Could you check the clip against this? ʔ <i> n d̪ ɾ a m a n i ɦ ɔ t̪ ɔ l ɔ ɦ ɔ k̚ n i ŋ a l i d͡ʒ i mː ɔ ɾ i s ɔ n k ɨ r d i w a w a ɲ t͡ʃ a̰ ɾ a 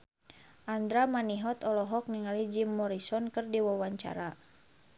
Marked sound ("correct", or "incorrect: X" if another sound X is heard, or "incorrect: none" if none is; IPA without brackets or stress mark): incorrect: a